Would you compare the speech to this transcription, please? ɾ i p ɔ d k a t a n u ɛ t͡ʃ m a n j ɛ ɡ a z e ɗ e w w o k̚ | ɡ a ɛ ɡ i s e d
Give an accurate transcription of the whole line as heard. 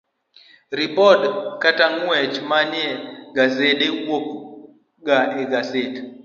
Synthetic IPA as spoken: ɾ i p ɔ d k a t a ŋ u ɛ t͡ʃ m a n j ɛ ɡ a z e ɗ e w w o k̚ | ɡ a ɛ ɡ a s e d